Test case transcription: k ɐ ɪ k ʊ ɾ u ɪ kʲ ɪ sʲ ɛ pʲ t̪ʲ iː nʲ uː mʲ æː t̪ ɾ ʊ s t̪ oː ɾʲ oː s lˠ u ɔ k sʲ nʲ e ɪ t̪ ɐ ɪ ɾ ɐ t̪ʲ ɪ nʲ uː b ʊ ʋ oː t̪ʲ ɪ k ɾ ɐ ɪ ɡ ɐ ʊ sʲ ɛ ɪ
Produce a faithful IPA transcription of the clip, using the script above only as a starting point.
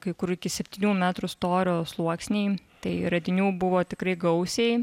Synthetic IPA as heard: k ɐ ɪ k ʊ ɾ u ɪ kʲ ɪ sʲ ɛ pʲ t̪ʲ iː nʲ uː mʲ æː t̪ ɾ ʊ s t̪ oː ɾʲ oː s lˠ u ɔ k sʲ nʲ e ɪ t̪ ɐ ɪ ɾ ɐ d̪ʲ ɪ nʲ uː b ʊ ʋ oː t̪ʲ ɪ k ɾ ɐ ɪ ɡ ɐ ʊ sʲ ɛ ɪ